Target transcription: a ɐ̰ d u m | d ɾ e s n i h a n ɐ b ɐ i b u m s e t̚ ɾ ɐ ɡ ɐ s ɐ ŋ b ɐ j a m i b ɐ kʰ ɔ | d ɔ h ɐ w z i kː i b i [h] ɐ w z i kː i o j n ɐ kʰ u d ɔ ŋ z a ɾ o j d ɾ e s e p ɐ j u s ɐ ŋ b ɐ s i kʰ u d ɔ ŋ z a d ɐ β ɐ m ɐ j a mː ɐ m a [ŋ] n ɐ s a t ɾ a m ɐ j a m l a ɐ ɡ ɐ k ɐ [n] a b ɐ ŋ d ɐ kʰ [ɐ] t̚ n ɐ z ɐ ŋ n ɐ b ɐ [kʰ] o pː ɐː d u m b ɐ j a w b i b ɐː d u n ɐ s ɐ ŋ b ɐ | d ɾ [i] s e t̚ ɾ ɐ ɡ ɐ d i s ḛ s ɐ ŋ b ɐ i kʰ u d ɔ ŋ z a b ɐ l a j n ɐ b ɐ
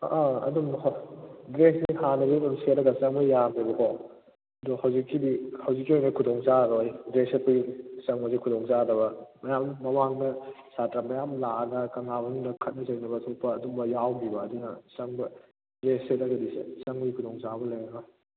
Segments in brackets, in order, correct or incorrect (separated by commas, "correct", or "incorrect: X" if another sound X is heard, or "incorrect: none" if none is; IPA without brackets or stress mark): correct, correct, incorrect: ŋ, correct, incorrect: tʰ, incorrect: e